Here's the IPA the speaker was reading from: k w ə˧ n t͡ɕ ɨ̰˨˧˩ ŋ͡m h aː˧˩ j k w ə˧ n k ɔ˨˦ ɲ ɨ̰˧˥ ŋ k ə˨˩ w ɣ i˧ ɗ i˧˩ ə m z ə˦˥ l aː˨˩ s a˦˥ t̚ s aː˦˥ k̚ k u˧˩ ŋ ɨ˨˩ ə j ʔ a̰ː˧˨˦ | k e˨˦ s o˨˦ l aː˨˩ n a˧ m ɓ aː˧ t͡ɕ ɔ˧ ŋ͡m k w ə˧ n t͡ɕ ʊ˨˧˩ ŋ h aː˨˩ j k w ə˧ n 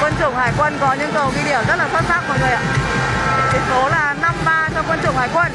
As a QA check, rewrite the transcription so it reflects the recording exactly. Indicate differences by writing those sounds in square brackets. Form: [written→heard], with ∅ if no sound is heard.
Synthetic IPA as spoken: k w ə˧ n t͡ɕ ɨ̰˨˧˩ ŋ͡m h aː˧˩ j k w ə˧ n k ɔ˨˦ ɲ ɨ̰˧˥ ŋ k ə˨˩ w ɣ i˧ ɗ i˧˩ ə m z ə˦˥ l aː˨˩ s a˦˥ t̚ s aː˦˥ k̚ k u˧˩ ŋ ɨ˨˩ ə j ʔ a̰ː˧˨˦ | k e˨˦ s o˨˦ l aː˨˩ n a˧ m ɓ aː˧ t͡ɕ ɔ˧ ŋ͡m k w ə˧ n t͡ɕ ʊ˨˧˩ [ŋ→ŋ͡m] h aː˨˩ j k w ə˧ n

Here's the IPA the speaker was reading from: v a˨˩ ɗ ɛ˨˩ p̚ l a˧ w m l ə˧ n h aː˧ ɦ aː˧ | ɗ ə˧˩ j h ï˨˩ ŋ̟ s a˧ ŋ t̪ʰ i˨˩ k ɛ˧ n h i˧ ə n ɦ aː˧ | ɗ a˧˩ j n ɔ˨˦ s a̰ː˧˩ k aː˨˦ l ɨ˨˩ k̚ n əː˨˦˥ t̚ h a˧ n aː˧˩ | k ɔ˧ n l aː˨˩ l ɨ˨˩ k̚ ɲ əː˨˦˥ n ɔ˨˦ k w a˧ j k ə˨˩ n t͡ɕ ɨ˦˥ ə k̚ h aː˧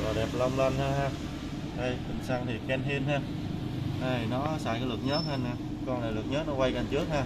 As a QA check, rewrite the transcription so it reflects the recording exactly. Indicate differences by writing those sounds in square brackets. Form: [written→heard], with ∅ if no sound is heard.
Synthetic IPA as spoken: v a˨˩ ɗ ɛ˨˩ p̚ l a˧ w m l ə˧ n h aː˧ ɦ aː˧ | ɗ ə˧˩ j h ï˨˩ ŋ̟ s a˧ ŋ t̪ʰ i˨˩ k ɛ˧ n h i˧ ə n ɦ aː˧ | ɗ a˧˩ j n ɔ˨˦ s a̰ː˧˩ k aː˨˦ l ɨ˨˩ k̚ [n→ɲ] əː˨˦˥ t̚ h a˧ n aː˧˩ | k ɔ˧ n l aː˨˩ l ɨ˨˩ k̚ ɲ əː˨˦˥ n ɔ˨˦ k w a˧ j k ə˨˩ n t͡ɕ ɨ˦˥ ə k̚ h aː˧

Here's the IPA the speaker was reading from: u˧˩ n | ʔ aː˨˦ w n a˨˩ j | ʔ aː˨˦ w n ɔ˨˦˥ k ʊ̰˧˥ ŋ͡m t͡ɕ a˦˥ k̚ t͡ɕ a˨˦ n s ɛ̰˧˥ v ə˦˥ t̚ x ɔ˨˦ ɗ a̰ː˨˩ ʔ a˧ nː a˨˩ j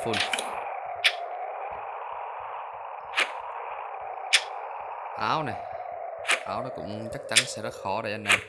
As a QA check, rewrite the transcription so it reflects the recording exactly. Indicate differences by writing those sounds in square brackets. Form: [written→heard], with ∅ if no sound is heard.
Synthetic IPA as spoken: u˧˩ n | ʔ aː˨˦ w n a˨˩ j | ʔ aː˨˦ w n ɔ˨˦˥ k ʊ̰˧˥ ŋ͡m t͡ɕ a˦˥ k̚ t͡ɕ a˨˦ n s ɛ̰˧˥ [v→z] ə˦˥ t̚ x [ɔ˨˦→ɔ˧˩] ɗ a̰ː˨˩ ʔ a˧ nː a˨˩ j

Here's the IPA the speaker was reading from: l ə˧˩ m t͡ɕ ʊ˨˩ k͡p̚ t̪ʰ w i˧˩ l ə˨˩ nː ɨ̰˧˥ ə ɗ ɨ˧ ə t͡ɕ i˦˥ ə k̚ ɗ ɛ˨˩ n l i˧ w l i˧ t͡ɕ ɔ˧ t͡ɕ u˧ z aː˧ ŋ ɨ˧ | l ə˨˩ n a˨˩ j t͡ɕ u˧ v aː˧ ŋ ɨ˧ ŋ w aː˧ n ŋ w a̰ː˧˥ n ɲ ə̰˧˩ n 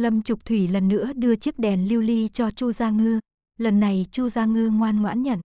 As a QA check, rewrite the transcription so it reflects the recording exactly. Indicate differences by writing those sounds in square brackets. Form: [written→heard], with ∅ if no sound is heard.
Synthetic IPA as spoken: l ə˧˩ m t͡ɕ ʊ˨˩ k͡p̚ t̪ʰ w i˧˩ l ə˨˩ nː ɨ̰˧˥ ə ɗ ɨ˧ ə t͡ɕ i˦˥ ə k̚ ɗ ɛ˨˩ n l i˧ w l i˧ t͡ɕ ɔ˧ t͡ɕ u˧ z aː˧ ŋ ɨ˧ | l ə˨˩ [n→nː] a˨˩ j t͡ɕ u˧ [v→z] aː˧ ŋ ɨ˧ ŋ w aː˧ n ŋ w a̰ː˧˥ n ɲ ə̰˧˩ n

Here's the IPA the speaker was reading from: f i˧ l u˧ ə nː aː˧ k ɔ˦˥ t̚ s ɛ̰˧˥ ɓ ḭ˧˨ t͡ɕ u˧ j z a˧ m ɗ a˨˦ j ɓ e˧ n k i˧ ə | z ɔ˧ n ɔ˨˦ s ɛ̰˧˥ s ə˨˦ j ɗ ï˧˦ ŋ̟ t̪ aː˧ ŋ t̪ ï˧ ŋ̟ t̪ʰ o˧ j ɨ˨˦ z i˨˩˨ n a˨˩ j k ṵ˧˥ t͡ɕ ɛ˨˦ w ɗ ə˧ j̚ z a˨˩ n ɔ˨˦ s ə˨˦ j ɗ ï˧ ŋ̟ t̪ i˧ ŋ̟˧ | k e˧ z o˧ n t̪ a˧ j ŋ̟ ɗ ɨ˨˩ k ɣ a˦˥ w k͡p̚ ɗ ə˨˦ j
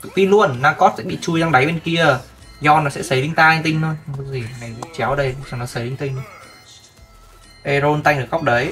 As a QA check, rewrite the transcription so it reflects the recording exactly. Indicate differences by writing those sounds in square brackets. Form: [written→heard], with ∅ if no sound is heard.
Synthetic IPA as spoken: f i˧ l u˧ ə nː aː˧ k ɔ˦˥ t̚ s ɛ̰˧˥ ɓ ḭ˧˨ t͡ɕ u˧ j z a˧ [m→ŋ] ɗ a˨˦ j ɓ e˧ n k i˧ ə | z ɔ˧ n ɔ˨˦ s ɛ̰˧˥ s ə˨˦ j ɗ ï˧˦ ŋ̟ t̪ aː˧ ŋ t̪ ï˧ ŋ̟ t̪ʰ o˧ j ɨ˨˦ z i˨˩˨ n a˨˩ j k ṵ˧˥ t͡ɕ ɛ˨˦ w ɗ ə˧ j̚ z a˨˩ n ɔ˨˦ s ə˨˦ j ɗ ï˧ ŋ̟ t̪ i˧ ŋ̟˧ | [k→ʔ] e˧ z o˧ n t̪ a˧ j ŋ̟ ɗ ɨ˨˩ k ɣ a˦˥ w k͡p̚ ɗ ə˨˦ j

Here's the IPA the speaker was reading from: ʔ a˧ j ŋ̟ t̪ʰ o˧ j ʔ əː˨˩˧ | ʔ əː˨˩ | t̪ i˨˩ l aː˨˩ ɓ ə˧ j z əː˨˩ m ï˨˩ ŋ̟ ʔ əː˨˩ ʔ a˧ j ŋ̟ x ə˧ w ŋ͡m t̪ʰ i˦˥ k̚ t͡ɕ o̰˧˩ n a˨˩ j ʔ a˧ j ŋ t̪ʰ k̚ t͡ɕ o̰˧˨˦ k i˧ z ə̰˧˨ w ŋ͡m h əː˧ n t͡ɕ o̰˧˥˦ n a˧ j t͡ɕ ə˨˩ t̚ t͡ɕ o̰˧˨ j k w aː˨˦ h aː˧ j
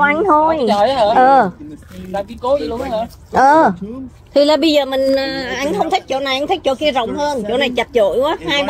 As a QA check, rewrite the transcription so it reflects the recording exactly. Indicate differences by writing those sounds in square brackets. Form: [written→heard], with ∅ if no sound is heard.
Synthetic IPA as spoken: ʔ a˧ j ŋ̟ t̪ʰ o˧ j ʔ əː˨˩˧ | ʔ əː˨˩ | [t̪→t̪ʰ] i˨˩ l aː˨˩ ɓ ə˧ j z əː˨˩ m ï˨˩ ŋ̟ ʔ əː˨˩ ʔ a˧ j ŋ̟ x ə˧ w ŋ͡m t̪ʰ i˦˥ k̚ t͡ɕ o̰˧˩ n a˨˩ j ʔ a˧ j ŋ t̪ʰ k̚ t͡ɕ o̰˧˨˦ k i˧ z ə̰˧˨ w ŋ͡m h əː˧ n t͡ɕ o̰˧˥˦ n [a˧→a˨˩] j t͡ɕ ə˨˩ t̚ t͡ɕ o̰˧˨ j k w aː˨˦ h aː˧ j

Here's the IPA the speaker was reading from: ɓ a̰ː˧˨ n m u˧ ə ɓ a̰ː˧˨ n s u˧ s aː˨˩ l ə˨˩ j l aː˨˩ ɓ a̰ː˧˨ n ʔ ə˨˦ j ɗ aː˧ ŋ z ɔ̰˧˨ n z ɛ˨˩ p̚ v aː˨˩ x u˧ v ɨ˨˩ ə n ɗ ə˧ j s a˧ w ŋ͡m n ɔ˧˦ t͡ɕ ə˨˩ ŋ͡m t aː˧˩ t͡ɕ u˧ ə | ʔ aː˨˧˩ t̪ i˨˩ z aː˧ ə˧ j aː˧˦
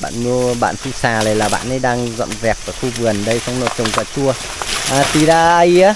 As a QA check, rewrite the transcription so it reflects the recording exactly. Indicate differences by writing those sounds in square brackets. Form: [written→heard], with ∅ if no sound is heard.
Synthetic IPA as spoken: ɓ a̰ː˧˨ n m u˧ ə ɓ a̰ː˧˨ n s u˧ s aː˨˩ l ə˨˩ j l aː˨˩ ɓ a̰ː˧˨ n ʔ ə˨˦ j ɗ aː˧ ŋ z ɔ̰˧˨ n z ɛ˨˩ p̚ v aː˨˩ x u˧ v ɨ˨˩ ə n ɗ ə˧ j s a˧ w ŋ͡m n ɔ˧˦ t͡ɕ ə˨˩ ŋ͡m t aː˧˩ t͡ɕ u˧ ə | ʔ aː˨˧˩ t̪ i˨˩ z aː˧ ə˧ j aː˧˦

